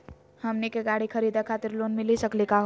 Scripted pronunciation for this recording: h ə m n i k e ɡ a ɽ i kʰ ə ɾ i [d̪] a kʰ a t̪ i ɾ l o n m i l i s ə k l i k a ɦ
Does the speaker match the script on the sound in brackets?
yes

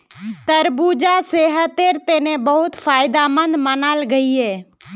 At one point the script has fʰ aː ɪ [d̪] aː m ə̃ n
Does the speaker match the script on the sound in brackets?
yes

